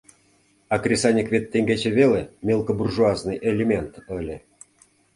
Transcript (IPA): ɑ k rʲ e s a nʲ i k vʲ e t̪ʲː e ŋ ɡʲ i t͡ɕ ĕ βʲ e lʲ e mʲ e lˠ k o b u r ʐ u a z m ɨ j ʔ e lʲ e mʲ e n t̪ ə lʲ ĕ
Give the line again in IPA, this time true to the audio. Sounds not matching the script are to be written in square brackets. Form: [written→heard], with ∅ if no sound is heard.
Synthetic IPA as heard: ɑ k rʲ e s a nʲ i k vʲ e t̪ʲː e ŋ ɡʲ [i→e] t͡ɕ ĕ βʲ e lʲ e mʲ e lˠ k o b u r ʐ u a z [m→n] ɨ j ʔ e lʲ e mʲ e n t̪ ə lʲ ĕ